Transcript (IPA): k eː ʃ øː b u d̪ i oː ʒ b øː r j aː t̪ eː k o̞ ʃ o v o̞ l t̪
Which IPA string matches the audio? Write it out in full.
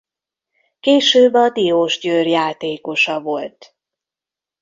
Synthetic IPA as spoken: k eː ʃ øː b ɒ d̪ i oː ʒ ɟ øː r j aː t̪ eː k o̞ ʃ ɒ v o̞ l t̪